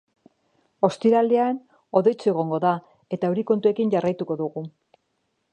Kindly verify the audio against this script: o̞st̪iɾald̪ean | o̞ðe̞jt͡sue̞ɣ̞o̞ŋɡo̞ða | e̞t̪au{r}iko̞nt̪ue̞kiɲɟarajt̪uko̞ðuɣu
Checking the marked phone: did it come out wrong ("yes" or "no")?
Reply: yes